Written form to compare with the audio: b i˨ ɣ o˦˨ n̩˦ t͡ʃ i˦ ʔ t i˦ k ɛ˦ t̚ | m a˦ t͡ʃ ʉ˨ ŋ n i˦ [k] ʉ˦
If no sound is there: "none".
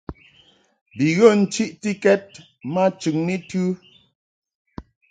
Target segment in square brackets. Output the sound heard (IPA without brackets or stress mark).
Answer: t